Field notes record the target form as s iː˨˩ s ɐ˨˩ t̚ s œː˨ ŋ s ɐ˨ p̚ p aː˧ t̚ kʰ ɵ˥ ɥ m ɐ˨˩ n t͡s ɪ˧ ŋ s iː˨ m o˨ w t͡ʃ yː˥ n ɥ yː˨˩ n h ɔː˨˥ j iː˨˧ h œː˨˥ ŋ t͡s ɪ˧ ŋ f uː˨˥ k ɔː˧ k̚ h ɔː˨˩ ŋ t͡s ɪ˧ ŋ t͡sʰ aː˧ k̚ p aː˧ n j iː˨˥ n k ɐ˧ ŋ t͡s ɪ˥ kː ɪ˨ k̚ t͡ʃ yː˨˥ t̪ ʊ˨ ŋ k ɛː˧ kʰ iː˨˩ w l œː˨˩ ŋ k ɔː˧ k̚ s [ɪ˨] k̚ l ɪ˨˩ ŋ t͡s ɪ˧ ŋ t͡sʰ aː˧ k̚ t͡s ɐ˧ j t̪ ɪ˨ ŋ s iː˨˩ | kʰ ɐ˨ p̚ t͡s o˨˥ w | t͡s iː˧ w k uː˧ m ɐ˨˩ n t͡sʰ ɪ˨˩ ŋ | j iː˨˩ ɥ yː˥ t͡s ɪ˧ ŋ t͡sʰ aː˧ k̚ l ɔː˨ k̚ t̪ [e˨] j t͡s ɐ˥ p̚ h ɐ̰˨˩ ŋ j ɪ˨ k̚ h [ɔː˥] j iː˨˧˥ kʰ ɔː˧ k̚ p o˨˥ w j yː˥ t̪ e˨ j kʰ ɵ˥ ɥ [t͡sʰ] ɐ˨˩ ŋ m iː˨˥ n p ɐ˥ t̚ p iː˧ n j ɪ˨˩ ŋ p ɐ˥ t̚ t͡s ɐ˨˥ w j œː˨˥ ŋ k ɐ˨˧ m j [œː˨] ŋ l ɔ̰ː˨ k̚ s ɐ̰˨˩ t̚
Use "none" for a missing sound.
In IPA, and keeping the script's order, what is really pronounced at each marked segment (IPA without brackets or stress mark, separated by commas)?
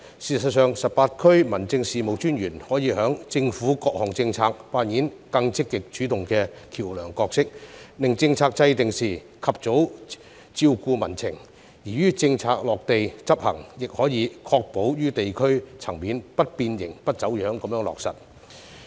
ɪ˥, e˨, ɔː˨˥, t͡sʰ, œː˧˥